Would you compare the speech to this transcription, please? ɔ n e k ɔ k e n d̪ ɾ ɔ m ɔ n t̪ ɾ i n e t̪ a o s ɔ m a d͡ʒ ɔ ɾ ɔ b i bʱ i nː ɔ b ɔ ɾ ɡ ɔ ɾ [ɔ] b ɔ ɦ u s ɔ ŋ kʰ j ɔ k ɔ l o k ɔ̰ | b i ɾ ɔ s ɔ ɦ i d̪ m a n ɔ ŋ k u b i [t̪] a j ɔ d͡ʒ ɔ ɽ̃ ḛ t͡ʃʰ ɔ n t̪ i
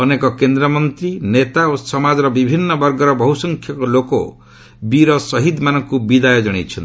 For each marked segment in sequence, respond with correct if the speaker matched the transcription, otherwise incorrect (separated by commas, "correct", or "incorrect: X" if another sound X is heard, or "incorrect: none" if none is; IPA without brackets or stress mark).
correct, incorrect: d̪